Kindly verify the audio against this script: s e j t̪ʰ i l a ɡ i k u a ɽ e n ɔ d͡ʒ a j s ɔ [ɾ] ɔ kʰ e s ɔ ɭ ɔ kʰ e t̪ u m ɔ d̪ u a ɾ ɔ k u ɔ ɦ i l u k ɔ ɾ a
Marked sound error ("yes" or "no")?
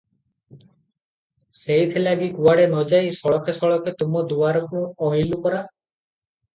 yes